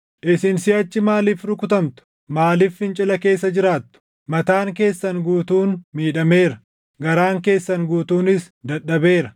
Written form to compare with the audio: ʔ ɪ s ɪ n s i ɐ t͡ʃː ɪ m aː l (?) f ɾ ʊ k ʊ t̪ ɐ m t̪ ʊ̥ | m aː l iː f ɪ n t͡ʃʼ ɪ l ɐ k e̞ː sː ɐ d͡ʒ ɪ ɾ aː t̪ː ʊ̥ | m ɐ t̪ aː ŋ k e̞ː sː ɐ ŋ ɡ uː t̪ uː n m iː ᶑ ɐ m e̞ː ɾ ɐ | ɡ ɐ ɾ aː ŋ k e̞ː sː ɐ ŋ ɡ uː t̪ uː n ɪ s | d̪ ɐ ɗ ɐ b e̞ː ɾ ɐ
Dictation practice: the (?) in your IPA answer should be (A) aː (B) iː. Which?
B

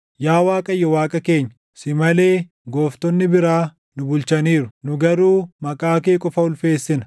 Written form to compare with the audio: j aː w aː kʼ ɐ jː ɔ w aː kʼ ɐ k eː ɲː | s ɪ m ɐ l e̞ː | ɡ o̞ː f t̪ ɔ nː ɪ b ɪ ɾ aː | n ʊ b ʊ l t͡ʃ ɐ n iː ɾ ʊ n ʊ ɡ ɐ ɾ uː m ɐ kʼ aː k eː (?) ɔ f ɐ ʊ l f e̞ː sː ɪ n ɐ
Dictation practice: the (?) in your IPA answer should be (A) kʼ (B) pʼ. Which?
A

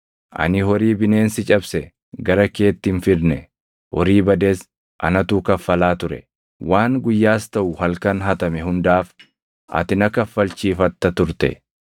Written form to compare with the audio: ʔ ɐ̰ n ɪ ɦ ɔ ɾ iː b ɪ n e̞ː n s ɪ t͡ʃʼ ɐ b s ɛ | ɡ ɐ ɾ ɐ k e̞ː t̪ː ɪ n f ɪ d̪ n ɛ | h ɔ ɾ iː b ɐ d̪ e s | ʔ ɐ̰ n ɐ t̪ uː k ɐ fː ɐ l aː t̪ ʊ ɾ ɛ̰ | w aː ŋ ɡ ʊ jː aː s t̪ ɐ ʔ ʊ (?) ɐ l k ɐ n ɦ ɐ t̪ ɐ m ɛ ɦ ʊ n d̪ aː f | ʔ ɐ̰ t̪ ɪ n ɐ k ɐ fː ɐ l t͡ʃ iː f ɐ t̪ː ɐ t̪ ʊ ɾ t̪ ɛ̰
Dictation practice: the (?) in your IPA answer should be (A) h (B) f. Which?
A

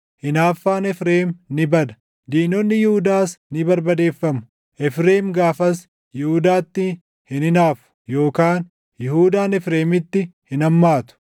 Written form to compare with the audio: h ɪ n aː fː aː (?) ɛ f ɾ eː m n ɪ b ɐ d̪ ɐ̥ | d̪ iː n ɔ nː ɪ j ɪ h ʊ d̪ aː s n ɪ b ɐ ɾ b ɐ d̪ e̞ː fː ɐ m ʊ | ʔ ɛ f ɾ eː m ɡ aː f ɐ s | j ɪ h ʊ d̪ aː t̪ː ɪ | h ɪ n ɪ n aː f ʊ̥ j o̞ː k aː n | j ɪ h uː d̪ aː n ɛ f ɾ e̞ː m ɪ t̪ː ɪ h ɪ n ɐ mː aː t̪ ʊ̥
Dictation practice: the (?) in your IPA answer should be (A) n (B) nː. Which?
A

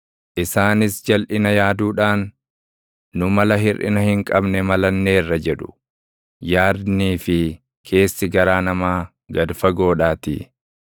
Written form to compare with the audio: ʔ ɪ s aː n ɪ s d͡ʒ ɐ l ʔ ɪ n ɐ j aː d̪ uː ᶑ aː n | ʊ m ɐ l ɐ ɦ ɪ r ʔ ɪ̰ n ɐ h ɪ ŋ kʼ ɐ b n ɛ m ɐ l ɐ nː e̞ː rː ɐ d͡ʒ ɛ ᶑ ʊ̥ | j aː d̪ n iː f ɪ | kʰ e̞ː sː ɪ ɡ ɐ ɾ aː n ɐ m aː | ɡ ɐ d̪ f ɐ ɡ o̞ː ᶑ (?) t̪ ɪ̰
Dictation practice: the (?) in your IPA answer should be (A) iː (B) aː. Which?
B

